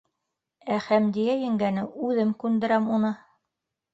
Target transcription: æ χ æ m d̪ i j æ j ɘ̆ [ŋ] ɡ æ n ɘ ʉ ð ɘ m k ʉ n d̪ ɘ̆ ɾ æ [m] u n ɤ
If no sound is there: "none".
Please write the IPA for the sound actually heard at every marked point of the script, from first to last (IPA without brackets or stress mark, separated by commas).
ŋ, m